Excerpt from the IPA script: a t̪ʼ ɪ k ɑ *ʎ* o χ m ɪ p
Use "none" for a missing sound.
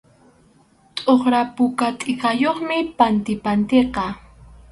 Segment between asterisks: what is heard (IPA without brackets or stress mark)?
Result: j